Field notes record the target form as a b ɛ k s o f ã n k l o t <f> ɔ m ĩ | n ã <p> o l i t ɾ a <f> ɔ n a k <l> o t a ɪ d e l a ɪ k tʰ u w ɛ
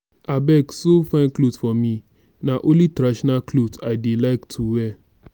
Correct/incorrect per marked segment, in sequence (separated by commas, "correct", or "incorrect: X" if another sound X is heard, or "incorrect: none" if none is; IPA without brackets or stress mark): correct, incorrect: ʔ, incorrect: ʃ, correct